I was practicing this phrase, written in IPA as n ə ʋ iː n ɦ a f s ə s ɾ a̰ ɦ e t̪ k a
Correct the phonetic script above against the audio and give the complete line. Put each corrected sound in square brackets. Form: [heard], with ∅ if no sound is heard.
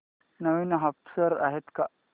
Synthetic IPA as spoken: n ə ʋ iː n ɦ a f s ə [∅] ɾ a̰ ɦ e t̪ k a

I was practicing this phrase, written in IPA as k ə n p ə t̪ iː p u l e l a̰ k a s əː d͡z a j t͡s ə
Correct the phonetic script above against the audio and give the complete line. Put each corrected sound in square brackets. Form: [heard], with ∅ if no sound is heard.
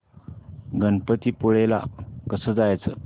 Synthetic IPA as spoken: [ɡ] ə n p ə t̪ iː p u [ɭ] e l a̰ k [ə] s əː d͡z a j t͡s ə

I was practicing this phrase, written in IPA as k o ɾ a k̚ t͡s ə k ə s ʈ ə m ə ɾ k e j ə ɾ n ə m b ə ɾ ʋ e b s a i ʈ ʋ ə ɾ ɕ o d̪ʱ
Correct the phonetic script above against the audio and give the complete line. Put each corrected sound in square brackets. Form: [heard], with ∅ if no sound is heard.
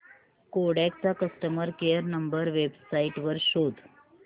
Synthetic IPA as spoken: k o [ɽ] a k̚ t͡s [a] k ə s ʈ ə m ə ɾ k e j ə ɾ n ə m b ə ɾ ʋ e b s a i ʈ ʋ ə ɾ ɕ o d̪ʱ

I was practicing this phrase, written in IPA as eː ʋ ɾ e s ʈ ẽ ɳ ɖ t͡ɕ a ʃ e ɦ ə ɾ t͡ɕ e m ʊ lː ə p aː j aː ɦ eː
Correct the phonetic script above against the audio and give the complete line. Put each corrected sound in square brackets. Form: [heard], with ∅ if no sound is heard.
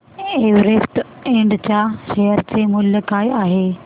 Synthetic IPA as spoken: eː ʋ ɾ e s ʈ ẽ ɳ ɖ t͡ɕ a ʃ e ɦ ə ɾ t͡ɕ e m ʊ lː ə [k] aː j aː ɦ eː

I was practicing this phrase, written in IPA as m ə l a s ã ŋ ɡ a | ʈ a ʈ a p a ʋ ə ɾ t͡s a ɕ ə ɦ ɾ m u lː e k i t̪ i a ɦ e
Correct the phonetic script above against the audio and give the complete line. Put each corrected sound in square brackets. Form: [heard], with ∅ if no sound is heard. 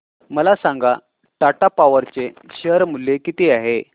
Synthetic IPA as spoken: m ə l a s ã ŋ ɡ a | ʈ a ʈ a p a ʋ ə ɾ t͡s [e] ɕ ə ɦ ɾ m u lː e k i t̪ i a ɦ e

